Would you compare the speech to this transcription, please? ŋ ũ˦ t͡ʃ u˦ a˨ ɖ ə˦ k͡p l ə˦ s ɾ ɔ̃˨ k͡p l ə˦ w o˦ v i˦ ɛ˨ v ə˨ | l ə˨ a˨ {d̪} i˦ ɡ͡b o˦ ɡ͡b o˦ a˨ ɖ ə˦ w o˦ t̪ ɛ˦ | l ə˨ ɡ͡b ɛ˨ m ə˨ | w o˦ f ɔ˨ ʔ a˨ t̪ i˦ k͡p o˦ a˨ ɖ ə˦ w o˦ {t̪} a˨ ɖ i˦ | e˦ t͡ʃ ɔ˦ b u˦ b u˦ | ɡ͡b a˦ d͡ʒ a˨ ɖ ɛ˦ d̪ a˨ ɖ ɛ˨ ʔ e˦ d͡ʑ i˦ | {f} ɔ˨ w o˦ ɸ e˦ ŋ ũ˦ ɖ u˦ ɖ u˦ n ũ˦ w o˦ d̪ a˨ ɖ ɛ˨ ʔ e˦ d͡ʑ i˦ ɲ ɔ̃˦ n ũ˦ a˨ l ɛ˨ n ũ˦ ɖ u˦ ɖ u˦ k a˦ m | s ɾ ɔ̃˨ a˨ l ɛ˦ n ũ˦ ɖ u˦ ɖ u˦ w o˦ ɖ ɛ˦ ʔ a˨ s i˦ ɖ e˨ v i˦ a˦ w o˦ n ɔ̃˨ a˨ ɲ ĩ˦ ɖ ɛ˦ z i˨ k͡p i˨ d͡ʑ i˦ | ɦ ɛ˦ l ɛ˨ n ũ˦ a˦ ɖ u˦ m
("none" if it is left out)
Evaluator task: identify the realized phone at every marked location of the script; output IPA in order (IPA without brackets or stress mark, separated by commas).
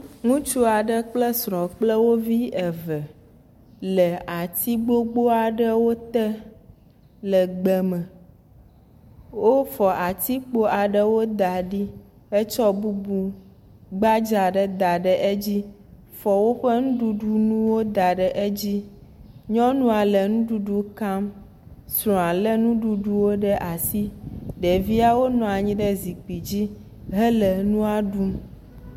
t̪, d̪, f